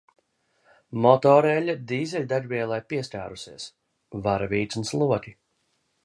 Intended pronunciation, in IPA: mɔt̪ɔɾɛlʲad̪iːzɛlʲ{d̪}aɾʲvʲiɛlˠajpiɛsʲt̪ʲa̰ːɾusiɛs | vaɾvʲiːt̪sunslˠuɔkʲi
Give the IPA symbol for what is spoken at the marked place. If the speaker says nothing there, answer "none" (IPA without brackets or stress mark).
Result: d̪